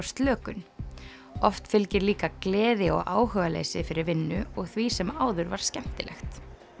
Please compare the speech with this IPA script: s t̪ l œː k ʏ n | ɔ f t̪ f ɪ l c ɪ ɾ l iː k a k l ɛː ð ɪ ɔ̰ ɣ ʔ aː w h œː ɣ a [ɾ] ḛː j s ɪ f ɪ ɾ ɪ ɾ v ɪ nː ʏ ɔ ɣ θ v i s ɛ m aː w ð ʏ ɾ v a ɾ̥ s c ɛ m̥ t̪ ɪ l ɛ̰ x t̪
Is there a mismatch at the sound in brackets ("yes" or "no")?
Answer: yes